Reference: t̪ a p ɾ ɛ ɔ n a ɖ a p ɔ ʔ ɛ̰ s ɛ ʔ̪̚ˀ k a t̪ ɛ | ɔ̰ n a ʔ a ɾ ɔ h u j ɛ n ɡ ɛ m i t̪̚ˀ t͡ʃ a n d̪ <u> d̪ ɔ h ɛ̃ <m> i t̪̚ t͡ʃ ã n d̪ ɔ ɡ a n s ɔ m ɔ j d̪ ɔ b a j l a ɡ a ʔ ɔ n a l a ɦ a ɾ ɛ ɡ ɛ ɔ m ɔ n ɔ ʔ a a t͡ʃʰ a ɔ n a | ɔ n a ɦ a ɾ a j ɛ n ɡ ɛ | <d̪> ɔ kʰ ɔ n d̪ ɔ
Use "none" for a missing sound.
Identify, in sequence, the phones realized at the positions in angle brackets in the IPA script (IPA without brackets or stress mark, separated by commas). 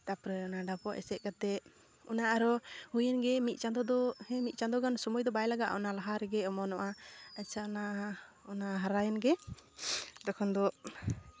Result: ɔ, m, d̪